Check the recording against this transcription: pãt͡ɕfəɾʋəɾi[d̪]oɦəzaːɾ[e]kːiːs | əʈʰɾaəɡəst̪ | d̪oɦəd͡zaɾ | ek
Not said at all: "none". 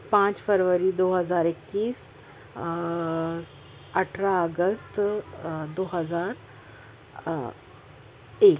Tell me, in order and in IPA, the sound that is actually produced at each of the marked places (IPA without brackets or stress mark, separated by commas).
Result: d̪, e